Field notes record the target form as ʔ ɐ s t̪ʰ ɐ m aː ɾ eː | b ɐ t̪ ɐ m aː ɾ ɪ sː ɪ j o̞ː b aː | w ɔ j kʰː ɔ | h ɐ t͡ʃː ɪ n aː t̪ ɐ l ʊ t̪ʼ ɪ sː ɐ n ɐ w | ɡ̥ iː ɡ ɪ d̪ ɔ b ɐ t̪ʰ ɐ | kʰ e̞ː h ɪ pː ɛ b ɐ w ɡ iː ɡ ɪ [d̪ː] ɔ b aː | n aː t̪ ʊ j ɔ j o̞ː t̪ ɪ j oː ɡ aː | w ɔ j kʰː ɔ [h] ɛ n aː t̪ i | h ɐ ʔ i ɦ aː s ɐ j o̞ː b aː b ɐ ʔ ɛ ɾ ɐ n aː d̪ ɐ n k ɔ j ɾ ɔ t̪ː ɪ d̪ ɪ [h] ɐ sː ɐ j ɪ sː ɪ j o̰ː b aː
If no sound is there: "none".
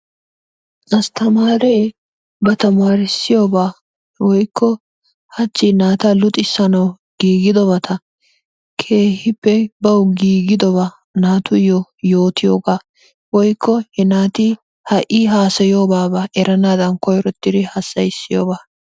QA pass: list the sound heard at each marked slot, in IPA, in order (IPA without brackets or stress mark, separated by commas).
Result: d̪, h, h